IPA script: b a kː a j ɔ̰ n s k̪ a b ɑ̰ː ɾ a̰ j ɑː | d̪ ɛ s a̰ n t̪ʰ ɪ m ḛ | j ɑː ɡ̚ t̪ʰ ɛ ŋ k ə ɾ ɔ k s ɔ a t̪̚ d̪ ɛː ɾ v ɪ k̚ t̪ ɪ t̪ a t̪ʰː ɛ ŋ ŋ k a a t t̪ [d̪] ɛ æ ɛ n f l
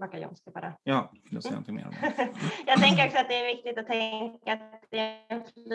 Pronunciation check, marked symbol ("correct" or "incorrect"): correct